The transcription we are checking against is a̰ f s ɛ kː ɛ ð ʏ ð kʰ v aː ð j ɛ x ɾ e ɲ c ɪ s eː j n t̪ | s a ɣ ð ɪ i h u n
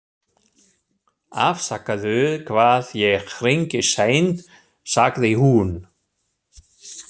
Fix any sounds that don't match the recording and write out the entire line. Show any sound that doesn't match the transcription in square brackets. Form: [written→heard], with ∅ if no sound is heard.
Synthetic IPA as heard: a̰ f s [ɛ→a] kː [ɛ→a] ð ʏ ð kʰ v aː ð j ɛ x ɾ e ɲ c ɪ s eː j n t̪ | s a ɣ ð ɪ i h u n